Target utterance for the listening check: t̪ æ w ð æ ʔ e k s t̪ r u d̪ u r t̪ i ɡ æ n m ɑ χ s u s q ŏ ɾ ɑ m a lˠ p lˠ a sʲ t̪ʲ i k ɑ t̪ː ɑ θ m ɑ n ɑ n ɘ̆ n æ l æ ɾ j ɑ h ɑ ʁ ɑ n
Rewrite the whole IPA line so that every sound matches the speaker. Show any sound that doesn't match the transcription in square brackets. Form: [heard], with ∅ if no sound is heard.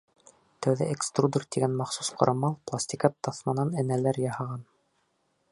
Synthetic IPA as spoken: t̪ æ w ð æ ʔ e k s t̪ r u d̪ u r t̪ i ɡ æ n m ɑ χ s u s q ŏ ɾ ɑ m [ɑ] lˠ p lˠ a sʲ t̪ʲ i k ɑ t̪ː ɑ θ m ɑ n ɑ n ɘ̆ n æ l æ ɾ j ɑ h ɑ ʁ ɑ n

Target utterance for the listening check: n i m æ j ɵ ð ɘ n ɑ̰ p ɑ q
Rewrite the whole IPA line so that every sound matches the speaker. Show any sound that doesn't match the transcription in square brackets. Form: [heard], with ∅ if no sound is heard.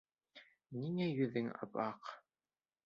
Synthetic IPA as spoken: n i [ŋ] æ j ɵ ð ɘ [ŋ] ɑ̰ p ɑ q

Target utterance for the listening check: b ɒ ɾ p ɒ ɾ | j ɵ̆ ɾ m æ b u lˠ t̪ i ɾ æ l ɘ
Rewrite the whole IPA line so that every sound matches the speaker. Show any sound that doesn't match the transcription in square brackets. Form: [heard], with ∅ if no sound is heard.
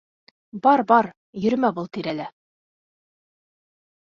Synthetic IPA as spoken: b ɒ ɾ [b] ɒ ɾ | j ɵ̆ ɾ m æ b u lˠ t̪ i ɾ æ l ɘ

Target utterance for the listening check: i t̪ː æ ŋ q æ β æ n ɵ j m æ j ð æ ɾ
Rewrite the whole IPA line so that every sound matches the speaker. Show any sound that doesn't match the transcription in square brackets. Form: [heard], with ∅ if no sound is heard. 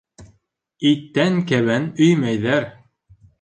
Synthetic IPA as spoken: i t̪ː æ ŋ [k] æ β æ n ɵ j m æ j ð æ ɾ

